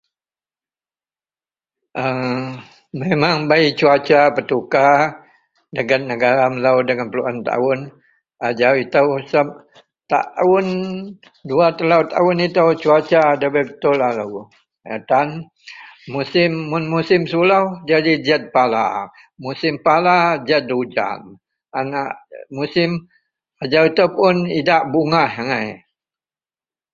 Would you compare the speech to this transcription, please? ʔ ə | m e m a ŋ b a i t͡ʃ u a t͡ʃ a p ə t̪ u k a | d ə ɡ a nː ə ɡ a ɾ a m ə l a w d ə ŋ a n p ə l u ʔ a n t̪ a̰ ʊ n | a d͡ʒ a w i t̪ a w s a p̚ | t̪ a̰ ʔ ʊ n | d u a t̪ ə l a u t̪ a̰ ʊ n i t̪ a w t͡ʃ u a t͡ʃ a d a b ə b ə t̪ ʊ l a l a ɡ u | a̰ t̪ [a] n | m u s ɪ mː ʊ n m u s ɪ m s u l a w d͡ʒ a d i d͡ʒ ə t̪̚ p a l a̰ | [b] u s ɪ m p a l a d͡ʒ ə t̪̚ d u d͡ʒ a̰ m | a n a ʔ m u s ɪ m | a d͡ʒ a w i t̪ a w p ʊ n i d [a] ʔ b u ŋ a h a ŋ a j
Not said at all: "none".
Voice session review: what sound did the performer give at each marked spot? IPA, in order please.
a, m, a

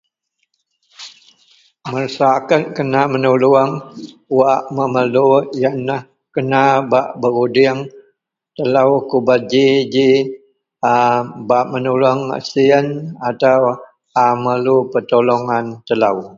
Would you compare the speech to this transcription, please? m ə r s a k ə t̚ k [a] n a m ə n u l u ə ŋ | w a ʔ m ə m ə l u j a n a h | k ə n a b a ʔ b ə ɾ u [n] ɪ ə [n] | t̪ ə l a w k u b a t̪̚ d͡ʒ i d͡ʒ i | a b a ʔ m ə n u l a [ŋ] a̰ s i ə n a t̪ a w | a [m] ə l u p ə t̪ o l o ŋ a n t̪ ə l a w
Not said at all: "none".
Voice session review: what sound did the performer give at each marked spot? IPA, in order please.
ə, d, ŋ, ŋ, m

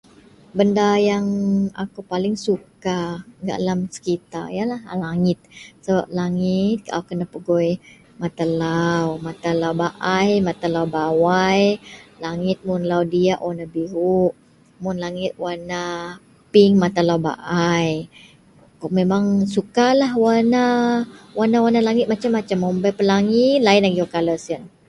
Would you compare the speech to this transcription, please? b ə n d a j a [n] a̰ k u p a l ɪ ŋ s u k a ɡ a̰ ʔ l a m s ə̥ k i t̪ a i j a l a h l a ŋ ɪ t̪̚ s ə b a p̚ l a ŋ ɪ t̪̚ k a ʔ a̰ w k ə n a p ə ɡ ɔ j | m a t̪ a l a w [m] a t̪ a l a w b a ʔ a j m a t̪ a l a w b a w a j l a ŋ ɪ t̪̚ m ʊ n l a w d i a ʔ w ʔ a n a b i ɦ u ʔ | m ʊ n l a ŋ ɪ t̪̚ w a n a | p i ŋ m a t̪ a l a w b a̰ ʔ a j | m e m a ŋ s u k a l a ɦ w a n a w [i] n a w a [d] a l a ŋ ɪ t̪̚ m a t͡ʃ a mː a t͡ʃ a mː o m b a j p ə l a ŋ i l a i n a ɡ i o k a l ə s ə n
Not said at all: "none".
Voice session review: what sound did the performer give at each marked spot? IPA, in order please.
ŋ, m, a, n

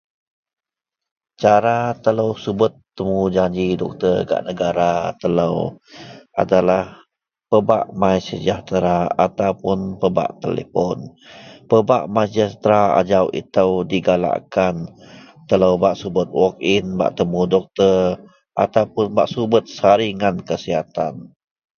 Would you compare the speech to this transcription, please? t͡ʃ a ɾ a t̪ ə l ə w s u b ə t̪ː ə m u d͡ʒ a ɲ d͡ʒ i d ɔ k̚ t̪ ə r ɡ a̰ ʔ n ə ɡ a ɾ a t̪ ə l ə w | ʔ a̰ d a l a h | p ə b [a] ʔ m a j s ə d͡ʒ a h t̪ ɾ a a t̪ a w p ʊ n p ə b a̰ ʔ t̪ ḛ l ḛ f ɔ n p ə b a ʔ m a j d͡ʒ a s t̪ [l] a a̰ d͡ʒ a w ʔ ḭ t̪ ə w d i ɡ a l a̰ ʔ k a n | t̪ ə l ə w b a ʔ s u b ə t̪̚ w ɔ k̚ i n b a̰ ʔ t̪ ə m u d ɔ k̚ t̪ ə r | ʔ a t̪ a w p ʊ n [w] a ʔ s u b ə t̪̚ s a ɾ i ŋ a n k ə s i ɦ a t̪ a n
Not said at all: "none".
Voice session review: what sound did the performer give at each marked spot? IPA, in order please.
a, ɾ, b

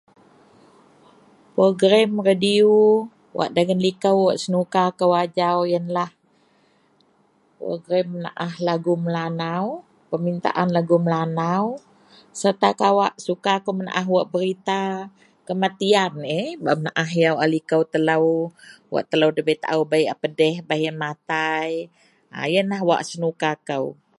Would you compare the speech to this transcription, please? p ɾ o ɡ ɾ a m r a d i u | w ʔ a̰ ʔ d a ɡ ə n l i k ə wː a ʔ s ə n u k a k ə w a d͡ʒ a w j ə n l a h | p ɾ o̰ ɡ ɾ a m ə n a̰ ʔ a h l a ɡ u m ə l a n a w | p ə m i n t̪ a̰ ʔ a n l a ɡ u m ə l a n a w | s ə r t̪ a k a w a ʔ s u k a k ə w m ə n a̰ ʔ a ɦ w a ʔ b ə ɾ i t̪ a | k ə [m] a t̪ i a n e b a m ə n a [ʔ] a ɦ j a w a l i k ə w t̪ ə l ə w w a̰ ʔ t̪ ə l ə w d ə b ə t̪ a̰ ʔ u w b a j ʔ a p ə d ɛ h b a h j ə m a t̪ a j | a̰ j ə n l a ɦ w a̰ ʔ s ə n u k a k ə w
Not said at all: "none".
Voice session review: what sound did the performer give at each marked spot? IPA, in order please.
m, ʔ

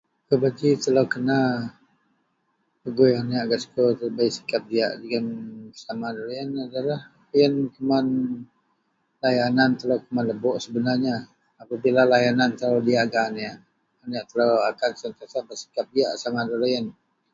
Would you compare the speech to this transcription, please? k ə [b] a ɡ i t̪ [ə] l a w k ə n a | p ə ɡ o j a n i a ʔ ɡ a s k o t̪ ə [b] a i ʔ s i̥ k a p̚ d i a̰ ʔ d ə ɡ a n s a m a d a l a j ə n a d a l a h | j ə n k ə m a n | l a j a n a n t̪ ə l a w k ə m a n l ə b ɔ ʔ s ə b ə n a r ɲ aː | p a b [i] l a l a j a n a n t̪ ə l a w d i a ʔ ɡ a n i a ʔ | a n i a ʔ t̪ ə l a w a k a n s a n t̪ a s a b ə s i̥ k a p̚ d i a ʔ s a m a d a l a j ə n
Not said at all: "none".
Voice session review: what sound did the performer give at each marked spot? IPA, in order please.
b, ə, b, i

